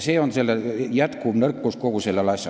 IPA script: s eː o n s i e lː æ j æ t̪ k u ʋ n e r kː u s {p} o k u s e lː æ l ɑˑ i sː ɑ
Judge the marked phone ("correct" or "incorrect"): incorrect